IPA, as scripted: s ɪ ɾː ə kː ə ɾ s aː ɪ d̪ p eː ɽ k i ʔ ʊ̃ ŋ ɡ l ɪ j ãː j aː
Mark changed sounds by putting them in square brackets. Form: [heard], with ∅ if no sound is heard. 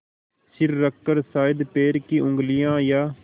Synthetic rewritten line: s ɪ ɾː ə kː ə ɾ s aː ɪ d̪ p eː [ɾ] k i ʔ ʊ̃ ŋ ɡ l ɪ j ãː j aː